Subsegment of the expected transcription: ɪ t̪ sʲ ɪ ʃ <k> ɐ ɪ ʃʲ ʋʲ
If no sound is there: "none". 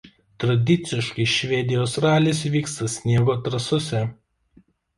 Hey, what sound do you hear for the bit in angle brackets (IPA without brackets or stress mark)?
k